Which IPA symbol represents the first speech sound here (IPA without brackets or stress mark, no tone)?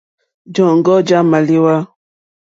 d͡ʒ